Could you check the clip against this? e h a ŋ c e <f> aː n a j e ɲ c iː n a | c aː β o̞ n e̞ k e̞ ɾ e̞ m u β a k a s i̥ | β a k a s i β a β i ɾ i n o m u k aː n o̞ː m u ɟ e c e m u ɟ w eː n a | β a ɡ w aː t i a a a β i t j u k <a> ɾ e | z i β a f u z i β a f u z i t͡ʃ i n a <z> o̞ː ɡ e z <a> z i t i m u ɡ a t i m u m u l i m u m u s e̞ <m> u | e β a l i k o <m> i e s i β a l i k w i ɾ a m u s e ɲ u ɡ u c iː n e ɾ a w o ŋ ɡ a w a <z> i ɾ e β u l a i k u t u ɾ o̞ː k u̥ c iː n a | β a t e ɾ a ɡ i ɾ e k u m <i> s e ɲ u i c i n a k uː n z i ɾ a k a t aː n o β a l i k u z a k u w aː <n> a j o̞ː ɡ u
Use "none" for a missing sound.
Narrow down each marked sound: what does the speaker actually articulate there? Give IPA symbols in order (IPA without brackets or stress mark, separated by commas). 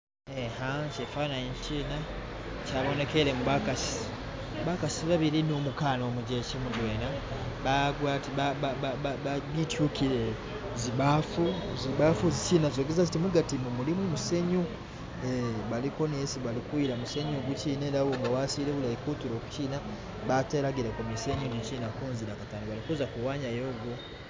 f, i, z, a, ɲ, n, s, i, ɲ